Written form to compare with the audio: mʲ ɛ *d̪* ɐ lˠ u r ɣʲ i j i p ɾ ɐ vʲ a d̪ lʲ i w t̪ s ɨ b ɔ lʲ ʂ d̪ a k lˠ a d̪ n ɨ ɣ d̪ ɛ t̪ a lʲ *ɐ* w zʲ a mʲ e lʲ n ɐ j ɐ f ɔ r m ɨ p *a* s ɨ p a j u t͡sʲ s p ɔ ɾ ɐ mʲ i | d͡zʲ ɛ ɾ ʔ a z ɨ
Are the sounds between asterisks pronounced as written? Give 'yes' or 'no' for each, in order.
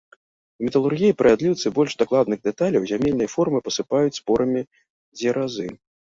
no, yes, no

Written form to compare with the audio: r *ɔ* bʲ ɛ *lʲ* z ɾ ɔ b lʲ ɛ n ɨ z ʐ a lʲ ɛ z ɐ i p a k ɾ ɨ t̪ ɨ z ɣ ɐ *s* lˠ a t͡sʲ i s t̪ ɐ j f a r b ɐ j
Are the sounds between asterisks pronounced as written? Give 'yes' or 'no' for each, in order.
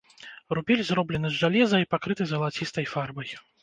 no, yes, no

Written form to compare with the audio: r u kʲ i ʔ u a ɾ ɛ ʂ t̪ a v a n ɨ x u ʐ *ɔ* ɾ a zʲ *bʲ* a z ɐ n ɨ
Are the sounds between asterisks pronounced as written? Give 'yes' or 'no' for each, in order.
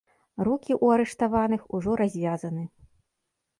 yes, no

